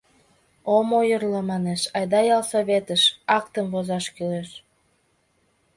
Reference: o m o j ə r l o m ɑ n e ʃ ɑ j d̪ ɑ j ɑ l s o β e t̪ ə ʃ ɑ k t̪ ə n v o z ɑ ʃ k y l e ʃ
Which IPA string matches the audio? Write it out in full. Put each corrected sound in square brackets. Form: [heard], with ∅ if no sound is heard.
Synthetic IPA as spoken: o m o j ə r l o m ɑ n e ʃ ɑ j d̪ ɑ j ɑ l s o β e t̪ ə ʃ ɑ k t̪ ə [m] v o z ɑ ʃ k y l e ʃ